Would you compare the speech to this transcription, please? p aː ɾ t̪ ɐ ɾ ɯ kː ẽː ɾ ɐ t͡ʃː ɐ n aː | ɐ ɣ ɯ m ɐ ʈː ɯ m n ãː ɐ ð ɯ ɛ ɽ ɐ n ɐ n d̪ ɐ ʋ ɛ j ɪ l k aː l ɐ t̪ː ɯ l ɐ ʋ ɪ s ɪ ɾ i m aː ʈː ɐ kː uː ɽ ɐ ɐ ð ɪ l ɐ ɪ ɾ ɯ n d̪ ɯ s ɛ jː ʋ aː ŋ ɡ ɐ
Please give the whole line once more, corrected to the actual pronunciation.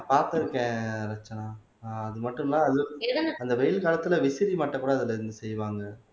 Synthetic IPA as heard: p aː ɾ t̪ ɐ ɾ ɯ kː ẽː ɾ ɐ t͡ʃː ɐ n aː | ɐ ð ɯ m ɐ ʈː ɯ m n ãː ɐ ð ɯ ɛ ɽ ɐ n ɐ n d̪ ɐ ʋ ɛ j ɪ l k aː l ɐ t̪ː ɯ l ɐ ʋ ɪ s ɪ ɾ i m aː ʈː ɐ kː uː ɽ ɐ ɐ ð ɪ l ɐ ɪ ɾ ɯ n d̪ ɯ s ɛ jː ʋ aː ŋ ɡ ɐ